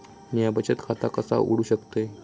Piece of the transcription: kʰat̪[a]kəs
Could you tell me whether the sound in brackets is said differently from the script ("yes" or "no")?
no